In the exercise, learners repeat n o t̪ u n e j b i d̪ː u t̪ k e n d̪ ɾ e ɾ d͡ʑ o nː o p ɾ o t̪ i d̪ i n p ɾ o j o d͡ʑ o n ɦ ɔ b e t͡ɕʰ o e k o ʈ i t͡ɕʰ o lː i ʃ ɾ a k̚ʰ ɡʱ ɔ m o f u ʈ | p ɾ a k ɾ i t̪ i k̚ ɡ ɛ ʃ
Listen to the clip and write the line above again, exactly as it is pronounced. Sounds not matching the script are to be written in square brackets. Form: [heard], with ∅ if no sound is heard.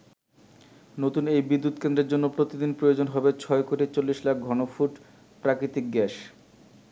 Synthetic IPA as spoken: n o t̪ u n e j b i d̪ː u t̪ k e n d̪ ɾ e ɾ d͡ʑ o nː o p ɾ o t̪ i d̪ i n p ɾ o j o d͡ʑ o n ɦ ɔ b e t͡ɕʰ [ɔ] e k o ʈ i [t͡ɕ] o lː i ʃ [l] a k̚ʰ ɡʱ ɔ [n] o f u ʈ | p ɾ a k ɾ i t̪ i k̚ ɡ ɛ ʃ